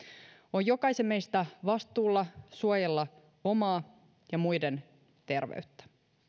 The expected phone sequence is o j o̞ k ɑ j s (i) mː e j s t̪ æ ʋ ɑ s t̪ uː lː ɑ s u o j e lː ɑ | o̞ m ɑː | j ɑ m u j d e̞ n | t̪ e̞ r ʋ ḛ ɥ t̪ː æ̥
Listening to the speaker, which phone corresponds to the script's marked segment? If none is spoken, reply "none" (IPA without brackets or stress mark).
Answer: e